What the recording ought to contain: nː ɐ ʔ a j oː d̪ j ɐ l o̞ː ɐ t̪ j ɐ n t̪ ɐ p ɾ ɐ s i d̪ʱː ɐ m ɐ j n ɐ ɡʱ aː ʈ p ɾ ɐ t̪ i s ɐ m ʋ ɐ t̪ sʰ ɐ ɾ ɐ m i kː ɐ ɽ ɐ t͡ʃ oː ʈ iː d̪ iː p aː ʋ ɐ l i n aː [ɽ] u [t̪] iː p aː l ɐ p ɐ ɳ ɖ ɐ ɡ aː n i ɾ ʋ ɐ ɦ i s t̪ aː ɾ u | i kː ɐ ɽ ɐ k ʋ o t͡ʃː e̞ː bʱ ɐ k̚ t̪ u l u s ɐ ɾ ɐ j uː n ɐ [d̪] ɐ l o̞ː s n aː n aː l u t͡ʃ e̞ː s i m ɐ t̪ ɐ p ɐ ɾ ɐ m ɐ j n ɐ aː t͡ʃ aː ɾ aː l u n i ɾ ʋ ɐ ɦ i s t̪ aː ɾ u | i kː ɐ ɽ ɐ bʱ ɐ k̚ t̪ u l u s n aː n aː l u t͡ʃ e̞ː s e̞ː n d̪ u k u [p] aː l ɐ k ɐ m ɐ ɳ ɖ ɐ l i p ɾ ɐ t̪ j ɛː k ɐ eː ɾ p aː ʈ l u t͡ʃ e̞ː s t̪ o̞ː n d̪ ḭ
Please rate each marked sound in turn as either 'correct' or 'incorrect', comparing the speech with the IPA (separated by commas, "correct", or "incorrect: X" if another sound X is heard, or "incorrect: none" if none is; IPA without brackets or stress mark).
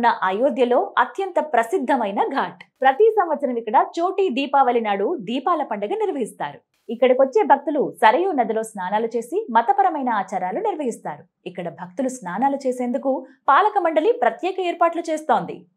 correct, incorrect: d̪, correct, correct